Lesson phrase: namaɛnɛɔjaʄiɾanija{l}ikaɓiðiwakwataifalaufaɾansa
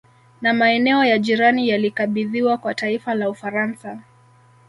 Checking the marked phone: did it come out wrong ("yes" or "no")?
no